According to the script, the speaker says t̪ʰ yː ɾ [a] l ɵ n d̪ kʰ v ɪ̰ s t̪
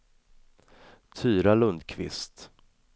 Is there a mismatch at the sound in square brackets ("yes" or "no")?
no